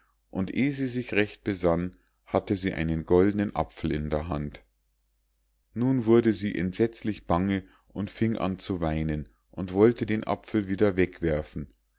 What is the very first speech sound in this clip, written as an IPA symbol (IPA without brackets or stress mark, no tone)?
ʔ